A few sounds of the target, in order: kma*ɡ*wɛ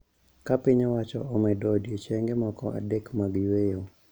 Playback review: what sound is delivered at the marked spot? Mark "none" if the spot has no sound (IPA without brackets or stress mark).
ɡ